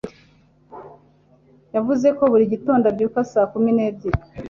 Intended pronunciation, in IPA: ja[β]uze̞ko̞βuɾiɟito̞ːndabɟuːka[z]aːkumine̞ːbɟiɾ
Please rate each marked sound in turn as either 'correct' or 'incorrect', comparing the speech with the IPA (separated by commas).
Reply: incorrect, incorrect